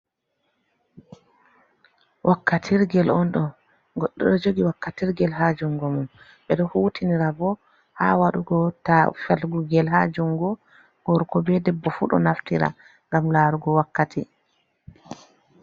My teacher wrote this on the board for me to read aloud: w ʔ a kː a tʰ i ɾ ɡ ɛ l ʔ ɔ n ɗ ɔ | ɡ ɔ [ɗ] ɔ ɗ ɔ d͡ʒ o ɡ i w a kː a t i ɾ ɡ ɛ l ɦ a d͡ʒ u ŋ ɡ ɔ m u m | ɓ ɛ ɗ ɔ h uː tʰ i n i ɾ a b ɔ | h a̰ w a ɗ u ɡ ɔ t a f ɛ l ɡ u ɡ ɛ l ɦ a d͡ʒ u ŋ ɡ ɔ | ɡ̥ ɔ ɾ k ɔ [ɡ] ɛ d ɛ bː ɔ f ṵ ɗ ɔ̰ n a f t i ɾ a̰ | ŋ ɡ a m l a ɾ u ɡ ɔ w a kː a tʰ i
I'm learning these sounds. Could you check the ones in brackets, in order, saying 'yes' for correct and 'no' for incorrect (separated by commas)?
no, no